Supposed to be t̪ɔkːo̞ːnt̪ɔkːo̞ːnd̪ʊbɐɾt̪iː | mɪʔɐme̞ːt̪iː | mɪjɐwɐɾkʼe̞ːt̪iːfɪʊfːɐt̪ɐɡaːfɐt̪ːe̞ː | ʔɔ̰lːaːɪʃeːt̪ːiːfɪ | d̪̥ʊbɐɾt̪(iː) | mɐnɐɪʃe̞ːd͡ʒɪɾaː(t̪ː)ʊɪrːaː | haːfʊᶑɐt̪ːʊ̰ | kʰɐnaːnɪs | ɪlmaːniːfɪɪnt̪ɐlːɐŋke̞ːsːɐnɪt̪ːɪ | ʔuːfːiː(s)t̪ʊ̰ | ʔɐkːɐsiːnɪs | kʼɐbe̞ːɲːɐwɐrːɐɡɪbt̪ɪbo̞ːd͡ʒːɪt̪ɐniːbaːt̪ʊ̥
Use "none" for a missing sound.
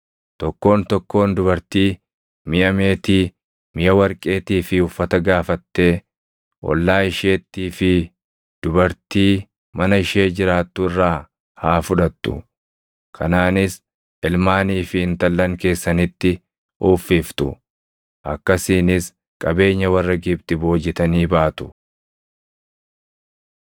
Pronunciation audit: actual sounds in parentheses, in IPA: iː, t̪ː, f

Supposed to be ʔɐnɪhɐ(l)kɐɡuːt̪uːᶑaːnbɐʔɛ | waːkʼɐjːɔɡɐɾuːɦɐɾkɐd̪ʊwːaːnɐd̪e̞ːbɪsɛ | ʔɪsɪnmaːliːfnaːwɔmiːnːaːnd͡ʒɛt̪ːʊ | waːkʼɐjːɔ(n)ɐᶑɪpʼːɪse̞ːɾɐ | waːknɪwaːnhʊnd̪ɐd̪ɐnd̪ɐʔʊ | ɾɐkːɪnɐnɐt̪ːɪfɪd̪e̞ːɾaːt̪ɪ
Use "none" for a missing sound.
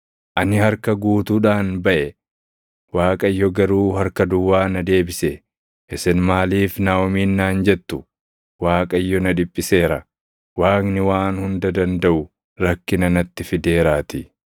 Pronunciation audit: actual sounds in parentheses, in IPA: ɾ, n

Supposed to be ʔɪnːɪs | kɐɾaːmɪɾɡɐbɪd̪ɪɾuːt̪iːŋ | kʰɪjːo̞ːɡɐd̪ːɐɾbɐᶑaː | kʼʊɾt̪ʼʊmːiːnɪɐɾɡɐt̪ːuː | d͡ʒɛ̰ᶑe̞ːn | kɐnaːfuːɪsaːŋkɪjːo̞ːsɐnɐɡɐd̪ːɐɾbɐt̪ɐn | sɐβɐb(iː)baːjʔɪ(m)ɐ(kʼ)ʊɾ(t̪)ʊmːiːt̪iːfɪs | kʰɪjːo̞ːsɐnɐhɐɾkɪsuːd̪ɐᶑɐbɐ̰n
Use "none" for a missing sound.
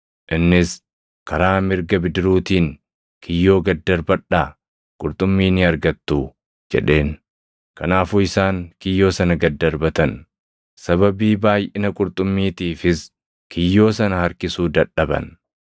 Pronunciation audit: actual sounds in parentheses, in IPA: iː, n, kʼ, t̪ʼ

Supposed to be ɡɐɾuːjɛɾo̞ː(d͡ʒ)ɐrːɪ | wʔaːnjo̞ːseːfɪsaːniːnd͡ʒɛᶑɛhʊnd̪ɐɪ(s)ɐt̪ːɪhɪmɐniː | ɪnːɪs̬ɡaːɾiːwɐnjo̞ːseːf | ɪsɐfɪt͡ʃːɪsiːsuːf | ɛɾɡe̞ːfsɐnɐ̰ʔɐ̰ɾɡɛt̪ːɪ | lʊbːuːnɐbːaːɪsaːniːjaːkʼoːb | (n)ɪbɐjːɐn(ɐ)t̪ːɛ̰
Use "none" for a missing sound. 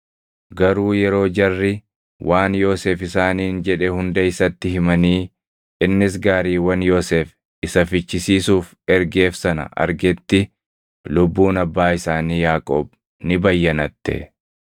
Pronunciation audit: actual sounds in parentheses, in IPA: d͡ʒ, s, n, ɐ

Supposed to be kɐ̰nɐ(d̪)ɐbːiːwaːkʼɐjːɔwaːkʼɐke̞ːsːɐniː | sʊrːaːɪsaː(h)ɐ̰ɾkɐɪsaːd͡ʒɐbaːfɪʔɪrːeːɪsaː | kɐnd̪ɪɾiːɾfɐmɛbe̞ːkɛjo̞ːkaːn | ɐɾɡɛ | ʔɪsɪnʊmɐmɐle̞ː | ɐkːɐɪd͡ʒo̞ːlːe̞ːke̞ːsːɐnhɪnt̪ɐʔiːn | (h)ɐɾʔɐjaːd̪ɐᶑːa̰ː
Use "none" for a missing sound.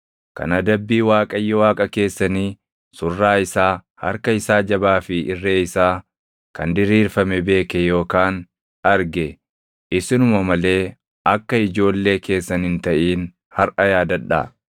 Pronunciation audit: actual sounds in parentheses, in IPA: d̪, h, h

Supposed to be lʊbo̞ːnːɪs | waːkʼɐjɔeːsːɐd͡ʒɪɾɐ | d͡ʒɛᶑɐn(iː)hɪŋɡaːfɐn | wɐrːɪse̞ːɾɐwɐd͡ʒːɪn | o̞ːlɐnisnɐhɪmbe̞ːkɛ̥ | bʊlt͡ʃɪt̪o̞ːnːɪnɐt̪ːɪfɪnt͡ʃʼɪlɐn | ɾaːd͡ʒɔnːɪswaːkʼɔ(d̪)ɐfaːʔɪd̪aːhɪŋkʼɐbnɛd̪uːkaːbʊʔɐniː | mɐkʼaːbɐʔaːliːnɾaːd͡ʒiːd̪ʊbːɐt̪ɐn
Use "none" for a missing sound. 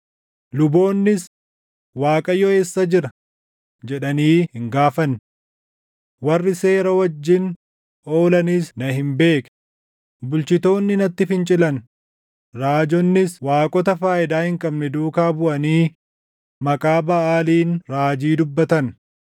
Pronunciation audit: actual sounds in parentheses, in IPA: iː, t̪

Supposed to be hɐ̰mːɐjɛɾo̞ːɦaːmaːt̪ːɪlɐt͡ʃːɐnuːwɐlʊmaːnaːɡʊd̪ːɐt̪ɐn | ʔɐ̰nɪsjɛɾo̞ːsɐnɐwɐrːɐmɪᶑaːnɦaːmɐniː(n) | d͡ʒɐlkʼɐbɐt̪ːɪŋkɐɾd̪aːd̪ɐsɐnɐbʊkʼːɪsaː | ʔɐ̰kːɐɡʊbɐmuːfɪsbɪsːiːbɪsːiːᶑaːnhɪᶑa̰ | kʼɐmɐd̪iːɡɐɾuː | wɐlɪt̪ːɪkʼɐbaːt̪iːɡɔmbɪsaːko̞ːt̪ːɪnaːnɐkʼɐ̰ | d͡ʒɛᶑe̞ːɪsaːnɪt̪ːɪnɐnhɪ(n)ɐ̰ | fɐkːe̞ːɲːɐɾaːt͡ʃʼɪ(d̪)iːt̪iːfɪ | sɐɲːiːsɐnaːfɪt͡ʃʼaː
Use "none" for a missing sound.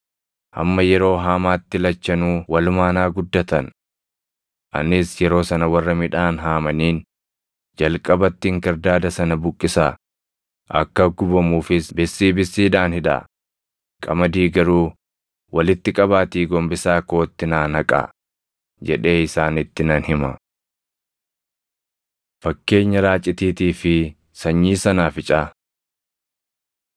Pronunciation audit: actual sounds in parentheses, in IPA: n, m, t̪

